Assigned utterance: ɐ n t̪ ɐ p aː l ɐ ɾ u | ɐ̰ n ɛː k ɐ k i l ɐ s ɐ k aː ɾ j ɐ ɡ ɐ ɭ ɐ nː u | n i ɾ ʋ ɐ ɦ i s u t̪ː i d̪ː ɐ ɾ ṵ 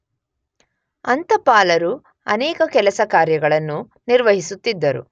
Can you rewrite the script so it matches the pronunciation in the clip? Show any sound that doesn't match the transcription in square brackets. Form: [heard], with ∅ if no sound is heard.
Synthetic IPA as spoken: ɐ n t̪ ɐ p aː l ɐ ɾ u | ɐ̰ n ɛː k ɐ k [ɛ] l ɐ s ɐ k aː ɾ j ɐ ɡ ɐ ɭ ɐ nː u | n i ɾ ʋ ɐ ɦ i s u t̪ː i d̪ː ɐ ɾ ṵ